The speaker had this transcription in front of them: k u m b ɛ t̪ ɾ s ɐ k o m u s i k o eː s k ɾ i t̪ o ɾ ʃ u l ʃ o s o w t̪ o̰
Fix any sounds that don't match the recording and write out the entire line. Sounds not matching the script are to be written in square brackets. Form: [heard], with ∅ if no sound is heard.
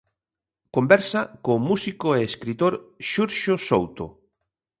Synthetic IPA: k [o] m b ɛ [∅] ɾ s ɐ k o m u s i k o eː s k ɾ i t̪ o ɾ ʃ u [ɾ] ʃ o s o w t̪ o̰

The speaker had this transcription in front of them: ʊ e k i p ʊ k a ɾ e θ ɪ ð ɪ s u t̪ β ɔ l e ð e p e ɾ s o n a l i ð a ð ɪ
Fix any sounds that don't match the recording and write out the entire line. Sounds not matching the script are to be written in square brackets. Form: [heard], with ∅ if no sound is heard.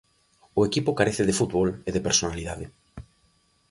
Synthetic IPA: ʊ e k i p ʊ k a ɾ e θ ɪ ð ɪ [f] u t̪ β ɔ l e ð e p e ɾ s o n a l i ð a ð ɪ

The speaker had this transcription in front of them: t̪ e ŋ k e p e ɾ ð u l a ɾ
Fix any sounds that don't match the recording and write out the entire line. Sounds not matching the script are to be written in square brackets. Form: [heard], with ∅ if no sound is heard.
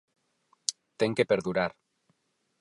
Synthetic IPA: t̪ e ŋ k e p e ɾ ð u [ɾ] a ɾ

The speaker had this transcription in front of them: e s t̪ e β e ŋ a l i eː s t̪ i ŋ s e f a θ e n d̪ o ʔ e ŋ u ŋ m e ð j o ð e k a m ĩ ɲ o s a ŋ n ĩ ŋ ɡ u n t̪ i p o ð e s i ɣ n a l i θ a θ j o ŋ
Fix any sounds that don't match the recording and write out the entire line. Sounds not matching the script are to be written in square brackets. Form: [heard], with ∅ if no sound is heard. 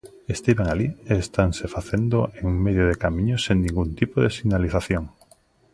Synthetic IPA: e s t̪ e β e ŋ a l i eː s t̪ [a] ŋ s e f a θ e n d̪ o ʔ e ŋ u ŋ m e ð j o ð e k a m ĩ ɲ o s [e] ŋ n ĩ ŋ ɡ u n t̪ i p o ð e s i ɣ n a l i θ a θ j o ŋ

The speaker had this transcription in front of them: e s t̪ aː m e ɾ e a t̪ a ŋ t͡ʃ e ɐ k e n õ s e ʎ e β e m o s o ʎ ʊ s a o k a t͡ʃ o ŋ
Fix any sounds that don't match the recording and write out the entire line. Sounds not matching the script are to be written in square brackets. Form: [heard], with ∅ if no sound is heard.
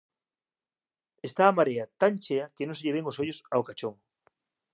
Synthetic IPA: e s t̪ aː m [a] ɾ e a t̪ a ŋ t͡ʃ e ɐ k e n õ s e ʎ e β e [ŋ] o s o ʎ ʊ s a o k a t͡ʃ o ŋ

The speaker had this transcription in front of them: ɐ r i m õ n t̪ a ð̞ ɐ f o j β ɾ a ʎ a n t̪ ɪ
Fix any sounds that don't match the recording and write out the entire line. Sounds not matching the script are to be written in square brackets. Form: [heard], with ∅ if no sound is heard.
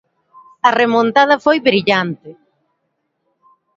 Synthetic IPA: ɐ r [e] m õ n t̪ a ð̞ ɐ f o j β ɾ [i] ʎ a n t̪ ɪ

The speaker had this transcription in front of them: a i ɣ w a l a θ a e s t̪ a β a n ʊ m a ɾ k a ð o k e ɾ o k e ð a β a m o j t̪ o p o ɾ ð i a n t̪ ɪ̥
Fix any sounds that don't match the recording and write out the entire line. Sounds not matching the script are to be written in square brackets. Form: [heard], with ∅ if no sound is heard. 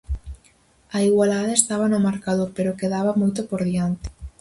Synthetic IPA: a i ɣ w a l a [ð] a e s t̪ a β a n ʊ m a ɾ k a ð o [p] e ɾ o k e ð a β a m o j t̪ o p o ɾ ð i a n t̪ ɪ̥

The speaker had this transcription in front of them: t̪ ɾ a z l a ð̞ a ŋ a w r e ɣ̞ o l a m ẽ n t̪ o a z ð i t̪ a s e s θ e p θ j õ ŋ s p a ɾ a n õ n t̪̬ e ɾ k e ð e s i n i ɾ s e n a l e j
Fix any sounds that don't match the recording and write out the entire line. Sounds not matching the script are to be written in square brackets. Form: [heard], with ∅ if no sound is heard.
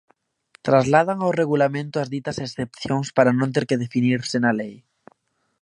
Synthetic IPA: t̪ ɾ a z l a ð̞ a ŋ a w r e ɣ̞ [u] l a m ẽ n t̪ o a z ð i t̪ a s e s θ e p θ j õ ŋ s p a ɾ a n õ n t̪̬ e ɾ k e ð e [f] i n i ɾ s e n a l e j

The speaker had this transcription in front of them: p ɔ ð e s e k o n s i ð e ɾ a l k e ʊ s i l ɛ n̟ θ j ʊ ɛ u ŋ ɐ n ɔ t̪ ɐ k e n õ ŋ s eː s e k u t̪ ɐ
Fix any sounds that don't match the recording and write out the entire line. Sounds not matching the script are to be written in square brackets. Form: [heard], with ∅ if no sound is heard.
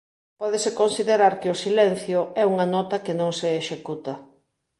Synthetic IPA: p ɔ ð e s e k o n s i ð e ɾ a [ɾ] k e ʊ s i l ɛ n̟ θ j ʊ ɛ u ŋ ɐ n ɔ t̪ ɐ k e n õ ŋ s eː [ʃ] e k u t̪ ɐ

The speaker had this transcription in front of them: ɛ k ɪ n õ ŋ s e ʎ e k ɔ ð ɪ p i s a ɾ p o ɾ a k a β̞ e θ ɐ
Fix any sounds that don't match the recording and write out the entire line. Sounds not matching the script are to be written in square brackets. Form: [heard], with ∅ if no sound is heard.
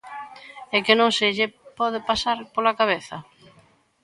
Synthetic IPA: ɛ k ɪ n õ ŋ s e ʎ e [p] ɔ ð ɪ p [a] s a ɾ p o [l] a k a β̞ e θ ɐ

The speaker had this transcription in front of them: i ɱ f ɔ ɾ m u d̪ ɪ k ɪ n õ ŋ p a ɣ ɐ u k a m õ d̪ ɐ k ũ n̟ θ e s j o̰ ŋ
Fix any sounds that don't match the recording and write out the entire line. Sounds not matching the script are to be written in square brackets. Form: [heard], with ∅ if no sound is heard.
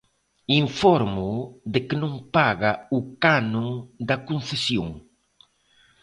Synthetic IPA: i ɱ f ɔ ɾ m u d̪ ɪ k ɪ n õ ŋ p a ɣ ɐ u k a [n] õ d̪ ɐ k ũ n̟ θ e s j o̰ ŋ

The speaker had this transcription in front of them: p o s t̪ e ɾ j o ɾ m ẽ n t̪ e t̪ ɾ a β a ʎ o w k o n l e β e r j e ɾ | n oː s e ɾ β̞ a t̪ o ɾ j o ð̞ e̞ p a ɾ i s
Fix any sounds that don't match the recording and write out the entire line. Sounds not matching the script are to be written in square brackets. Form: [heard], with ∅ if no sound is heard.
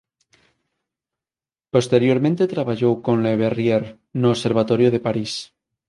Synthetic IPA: p o s t̪ e ɾ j o ɾ m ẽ n t̪ e t̪ ɾ a β a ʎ o w k o n l e β e r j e ɾ | n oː s e ɾ β̞ a t̪ o ɾ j o ð̞ e̞ p a ɾ i s

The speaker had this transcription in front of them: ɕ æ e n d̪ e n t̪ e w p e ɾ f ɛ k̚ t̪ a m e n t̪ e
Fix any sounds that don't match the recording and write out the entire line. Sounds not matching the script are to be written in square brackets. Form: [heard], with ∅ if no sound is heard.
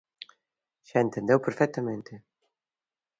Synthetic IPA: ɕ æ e n [t̪] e n [d̪] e w p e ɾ f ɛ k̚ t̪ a m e n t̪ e

